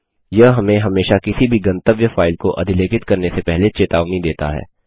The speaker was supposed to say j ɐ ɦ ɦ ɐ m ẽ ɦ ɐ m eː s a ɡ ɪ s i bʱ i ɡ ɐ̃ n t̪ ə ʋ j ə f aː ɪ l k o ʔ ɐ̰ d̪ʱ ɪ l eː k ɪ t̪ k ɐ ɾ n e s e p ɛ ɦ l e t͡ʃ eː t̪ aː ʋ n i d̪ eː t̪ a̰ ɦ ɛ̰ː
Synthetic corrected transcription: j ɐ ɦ ɦ ɐ m ẽ ɦ ɐ m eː ʃ a k ɪ s i bʱ i ɡ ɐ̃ n t̪ ə ʋ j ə f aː ɪ l k o ʔ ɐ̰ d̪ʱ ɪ l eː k ɪ t̪ k ɐ ɾ n e s e p ɛ ɦ l e t͡ʃ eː t̪ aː ʋ n i d̪ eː t̪ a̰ ɦ ɛ̰ː